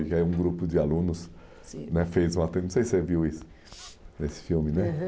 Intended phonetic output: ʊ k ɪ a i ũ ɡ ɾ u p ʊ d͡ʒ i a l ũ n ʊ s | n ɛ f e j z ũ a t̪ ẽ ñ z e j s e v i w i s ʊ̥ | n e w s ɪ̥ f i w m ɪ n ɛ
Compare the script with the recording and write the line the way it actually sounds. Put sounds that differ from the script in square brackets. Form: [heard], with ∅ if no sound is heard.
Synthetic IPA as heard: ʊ k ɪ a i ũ ɡ ɾ u p ʊ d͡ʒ [ɪ] a l ũ n ʊ s | n ɛ f e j z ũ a t̪ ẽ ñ [s] e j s e v i w i s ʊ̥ | n e [∅] s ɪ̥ f i w m ɪ n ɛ